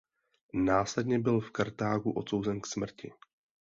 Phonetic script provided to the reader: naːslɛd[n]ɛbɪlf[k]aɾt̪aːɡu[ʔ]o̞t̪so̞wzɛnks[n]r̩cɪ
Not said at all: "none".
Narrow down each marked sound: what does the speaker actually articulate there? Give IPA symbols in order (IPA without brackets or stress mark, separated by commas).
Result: ɲ, k, ʔ, m